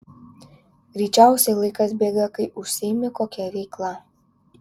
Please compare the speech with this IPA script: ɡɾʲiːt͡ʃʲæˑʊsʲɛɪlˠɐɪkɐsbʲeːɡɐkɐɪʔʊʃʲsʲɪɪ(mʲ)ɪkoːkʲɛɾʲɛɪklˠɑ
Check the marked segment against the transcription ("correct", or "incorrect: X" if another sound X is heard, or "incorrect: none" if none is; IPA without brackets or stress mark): correct